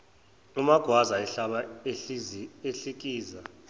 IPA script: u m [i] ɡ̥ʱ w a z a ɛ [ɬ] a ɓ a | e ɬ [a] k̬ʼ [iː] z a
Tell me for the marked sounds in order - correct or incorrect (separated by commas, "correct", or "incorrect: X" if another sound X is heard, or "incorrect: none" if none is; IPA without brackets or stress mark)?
incorrect: a, correct, incorrect: i, correct